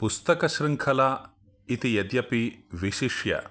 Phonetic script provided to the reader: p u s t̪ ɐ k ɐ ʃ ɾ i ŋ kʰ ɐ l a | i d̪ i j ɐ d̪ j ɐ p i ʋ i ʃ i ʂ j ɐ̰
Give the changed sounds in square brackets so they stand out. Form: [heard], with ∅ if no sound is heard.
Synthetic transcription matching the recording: p u s t̪ ɐ k ɐ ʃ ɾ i ŋ kʰ ɐ l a | i [t̪] i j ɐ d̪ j ɐ p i ʋ i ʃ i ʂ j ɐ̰